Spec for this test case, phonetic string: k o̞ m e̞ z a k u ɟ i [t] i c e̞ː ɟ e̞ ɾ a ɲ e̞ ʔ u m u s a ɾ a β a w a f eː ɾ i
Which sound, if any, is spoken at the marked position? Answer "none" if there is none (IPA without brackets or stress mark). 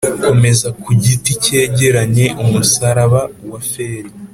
t